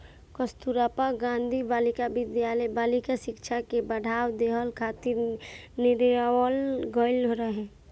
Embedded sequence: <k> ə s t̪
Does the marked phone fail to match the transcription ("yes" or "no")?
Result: no